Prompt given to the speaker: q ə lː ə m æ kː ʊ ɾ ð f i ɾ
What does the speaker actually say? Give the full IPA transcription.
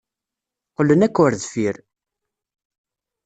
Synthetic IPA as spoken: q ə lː ə n æ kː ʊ ɾ ð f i ɾ

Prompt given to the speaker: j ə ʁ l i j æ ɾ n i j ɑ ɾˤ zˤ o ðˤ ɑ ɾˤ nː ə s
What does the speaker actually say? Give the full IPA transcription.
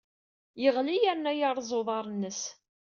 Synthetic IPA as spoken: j ə ʁ l i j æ ɾ n æ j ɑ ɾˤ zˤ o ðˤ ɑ ɾˤ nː ə s

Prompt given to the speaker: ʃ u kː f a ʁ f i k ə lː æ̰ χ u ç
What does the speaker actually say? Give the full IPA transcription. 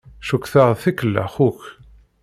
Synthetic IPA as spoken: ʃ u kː θ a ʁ θ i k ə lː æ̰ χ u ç

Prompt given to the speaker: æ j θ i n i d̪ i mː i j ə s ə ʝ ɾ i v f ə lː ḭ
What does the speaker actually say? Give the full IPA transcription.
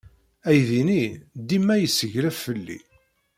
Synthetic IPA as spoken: æ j ð i n i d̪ i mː æ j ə s ə ʝ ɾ æ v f ə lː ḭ

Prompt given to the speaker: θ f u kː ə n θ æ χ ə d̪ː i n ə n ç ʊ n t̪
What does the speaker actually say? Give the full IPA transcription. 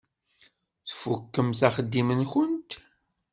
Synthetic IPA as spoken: θ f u kː ə m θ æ χ ə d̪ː i m ə n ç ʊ n t̪

